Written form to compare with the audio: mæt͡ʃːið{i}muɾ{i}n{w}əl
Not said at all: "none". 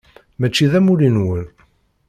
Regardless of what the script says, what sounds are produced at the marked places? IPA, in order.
æ, i, w

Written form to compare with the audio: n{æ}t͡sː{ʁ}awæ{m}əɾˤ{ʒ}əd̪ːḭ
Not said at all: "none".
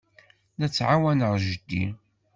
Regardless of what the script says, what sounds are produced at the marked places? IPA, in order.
æ, ʕ, n, ʒ

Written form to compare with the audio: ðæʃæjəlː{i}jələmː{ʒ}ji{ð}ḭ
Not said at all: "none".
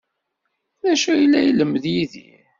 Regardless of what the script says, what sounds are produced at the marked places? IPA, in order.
æ, ð, ð

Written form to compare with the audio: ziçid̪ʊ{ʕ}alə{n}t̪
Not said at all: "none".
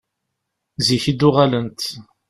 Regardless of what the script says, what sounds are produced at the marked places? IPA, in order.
ʁ, n

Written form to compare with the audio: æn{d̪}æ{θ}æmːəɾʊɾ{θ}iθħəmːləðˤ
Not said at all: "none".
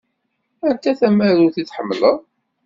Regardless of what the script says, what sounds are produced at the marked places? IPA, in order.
t̪, θ, θ

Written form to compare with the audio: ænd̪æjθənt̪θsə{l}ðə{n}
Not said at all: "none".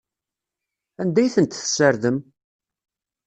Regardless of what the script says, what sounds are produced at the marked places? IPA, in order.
ɾ, m

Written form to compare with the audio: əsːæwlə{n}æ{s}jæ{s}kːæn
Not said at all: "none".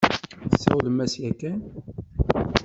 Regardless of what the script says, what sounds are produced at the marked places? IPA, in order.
m, s, none

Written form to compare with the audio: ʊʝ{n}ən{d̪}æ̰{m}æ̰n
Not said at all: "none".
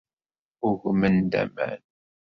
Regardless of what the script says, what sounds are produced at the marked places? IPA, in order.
m, d̪, m

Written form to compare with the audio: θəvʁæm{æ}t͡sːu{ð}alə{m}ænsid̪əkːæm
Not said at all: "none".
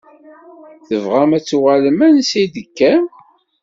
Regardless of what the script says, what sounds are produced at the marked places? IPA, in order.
æ, ʁ, m

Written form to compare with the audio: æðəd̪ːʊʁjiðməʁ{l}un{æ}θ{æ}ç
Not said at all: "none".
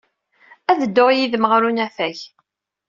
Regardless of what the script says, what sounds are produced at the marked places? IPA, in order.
ɾ, æ, æ

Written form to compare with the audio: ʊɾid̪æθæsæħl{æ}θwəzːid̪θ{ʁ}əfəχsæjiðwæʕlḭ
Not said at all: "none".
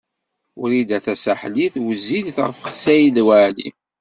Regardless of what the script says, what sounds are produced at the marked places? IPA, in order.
i, ʁ

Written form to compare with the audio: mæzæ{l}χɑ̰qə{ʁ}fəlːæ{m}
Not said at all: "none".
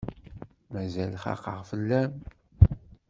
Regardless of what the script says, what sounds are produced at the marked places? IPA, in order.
l, ʁ, m

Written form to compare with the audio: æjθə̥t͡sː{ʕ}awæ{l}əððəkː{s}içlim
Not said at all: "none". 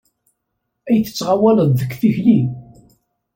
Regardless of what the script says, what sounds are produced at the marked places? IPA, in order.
ʁ, l, θ

